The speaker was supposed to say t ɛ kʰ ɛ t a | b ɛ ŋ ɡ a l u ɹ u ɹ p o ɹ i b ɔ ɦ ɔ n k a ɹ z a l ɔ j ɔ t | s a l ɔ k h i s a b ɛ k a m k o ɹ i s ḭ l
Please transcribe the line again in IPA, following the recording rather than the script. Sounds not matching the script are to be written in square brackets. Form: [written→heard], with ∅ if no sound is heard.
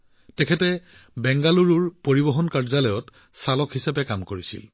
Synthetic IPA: t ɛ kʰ ɛ t [a→ɛ] | b ɛ ŋ ɡ a l u ɹ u ɹ p o ɹ i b ɔ ɦ ɔ n k a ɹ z a l ɔ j ɔ t | s a l ɔ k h i s a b ɛ k a m k o ɹ i s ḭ l